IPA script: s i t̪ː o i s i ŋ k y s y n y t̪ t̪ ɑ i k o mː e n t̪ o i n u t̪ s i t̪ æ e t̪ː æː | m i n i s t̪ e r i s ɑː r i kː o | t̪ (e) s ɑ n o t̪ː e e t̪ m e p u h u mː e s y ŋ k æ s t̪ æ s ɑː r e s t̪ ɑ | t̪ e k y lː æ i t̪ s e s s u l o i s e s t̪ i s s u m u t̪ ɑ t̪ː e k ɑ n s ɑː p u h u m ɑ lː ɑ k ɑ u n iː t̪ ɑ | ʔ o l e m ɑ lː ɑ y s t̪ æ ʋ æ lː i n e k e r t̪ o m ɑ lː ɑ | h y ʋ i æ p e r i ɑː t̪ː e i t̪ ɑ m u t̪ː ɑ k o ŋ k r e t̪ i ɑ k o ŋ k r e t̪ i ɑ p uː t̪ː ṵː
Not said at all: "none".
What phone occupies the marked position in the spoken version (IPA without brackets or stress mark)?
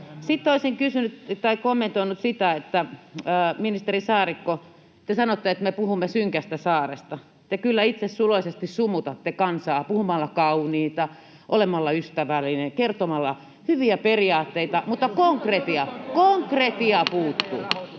e